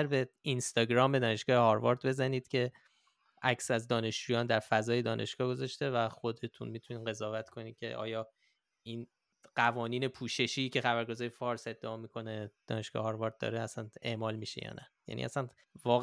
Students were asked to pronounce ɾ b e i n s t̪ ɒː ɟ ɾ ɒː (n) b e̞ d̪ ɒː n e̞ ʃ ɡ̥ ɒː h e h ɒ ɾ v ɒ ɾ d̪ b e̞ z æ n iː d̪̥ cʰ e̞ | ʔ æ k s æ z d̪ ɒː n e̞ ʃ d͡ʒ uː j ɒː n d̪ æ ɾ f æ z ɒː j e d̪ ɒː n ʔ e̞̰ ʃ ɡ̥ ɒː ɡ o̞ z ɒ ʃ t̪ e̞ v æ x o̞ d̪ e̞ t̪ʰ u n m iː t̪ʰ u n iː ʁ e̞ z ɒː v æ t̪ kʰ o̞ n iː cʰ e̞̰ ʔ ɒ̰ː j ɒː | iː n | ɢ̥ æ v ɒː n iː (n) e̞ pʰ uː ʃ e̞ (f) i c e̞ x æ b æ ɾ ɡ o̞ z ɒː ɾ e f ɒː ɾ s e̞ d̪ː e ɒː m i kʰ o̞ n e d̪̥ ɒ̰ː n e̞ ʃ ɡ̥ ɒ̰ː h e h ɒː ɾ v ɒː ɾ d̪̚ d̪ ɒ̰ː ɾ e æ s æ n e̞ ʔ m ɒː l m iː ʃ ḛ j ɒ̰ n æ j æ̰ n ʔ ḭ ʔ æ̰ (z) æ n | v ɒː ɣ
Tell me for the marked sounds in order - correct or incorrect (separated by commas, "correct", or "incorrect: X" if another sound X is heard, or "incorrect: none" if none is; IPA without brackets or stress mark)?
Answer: incorrect: m, correct, incorrect: ʃ, incorrect: s